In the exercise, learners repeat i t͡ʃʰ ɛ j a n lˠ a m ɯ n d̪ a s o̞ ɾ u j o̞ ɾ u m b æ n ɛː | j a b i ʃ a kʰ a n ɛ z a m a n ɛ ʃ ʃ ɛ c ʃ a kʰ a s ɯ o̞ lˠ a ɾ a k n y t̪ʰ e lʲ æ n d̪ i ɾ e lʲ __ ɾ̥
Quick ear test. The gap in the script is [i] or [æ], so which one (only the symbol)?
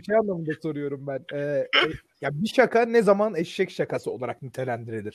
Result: i